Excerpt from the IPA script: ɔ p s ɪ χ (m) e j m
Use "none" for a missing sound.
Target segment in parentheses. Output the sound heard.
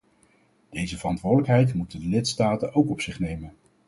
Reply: n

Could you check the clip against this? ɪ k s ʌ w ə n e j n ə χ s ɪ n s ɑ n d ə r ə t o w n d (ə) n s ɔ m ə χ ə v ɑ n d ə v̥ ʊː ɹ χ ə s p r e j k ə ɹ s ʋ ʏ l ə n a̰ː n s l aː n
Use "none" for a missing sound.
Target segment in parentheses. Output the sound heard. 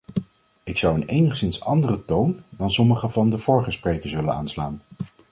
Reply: ɑ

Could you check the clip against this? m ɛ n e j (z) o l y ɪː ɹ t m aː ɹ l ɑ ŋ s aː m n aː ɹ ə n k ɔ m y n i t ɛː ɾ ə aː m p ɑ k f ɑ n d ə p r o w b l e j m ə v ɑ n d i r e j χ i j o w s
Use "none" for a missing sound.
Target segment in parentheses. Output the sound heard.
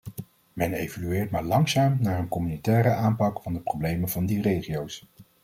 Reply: v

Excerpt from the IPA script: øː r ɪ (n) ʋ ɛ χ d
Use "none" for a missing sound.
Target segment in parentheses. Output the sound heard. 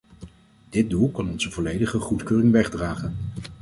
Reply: ŋ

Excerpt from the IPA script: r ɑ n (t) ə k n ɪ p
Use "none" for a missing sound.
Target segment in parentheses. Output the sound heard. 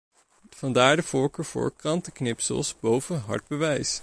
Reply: t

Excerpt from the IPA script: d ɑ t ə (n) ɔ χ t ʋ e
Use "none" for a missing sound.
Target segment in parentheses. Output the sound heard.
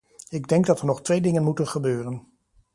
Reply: n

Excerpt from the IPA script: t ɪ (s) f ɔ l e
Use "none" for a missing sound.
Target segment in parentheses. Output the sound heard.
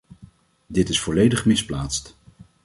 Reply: s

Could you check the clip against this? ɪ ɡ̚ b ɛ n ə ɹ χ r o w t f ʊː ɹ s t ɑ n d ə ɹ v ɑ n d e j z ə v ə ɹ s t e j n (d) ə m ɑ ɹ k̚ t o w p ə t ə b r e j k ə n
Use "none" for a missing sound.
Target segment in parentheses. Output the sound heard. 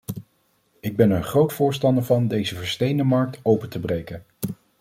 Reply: d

